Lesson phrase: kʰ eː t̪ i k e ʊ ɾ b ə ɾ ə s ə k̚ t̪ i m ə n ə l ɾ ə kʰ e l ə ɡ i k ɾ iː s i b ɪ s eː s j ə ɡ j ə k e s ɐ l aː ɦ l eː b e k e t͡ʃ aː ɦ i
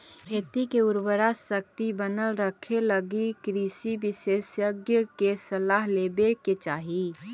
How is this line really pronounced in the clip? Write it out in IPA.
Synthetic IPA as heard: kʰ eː t̪ i k e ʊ ɾ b ə ɾ a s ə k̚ t̪ i b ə n ə l ɾ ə kʰ e l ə ɡ i k ɾ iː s i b ɪ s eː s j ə ɡ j ə k e s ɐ l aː ɦ l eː b e k e t͡ʃ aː ɦ i